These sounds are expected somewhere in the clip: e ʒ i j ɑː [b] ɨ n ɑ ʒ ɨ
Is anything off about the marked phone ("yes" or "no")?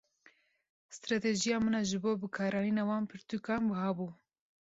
yes